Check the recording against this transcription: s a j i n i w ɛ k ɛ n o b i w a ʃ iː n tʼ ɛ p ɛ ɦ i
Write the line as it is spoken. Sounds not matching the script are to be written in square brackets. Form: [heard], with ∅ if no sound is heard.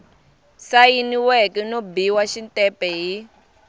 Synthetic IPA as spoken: s a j i n i w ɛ k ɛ n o b i w a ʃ [i] n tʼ ɛ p ɛ ɦ i

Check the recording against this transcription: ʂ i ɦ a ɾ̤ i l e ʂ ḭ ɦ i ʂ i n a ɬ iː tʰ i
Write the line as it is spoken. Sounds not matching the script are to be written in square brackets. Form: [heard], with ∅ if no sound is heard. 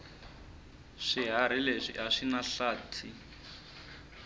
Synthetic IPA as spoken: ʂ i ɦ a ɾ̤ i l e ʂ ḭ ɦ [a] ʂ i n a ɬ [aː] tʰ i

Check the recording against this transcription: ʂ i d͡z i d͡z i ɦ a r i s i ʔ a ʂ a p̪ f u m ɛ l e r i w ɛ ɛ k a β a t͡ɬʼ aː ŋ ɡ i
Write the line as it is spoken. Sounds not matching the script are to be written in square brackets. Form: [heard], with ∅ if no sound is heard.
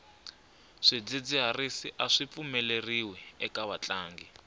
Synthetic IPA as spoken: ʂ i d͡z i d͡z i ɦ a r i s i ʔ a ʂ [i] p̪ f u m ɛ l e r i w ɛ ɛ k a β a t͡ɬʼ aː ŋ ɡ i

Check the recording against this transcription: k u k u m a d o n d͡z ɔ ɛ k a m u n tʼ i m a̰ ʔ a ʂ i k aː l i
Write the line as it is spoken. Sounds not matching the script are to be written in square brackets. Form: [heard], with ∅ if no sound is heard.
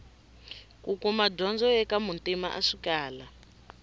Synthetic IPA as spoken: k u k u m a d [ɔ] n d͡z ɔ ɛ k a m u n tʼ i m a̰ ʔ a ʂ i k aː l [a]

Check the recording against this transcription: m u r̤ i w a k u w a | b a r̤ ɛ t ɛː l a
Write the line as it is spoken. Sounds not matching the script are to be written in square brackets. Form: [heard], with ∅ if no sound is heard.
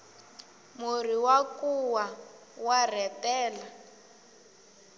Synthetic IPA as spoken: m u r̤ i w a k u w a | [w] a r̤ ɛ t ɛː l a

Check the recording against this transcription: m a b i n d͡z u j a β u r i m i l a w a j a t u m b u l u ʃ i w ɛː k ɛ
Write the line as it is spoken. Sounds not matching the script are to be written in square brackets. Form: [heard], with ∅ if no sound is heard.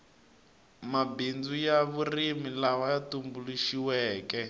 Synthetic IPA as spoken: m a b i n d͡z u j a β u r i m i l a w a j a t u m b u l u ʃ i w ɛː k ɛ

